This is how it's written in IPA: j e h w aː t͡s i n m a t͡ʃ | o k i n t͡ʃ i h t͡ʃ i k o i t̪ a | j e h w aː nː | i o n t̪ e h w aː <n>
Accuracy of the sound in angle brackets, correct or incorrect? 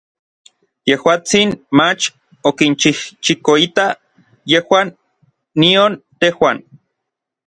correct